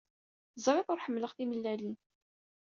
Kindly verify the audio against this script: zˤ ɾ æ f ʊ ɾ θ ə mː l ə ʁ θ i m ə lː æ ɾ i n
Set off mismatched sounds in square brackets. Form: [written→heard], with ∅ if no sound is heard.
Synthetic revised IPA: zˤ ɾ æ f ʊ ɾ [θ→ħ] ə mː l ə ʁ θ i m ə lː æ [ɾ→l] i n